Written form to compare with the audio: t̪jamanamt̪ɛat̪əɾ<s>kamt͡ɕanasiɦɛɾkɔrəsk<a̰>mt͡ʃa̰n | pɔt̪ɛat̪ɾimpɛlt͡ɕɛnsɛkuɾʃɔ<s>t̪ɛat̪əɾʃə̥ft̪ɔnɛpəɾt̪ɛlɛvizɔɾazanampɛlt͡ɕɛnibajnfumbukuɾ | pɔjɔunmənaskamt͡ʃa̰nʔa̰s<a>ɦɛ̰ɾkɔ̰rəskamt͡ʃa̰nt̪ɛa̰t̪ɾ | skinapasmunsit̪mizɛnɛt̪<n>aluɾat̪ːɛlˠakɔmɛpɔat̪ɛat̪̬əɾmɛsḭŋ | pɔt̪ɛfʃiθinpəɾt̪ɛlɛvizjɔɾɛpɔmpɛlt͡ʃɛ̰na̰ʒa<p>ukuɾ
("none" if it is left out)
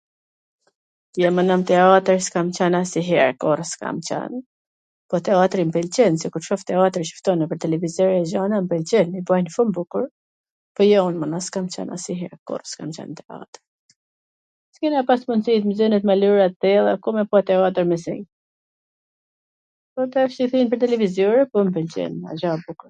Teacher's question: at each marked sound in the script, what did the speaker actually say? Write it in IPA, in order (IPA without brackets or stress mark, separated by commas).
s, a̰, f, i, m, b